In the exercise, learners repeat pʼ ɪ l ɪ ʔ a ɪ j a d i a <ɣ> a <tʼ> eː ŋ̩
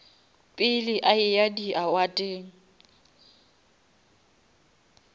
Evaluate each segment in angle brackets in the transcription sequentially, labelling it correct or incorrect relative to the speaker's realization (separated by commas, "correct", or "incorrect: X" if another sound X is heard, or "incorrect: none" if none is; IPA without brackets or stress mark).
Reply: incorrect: w, correct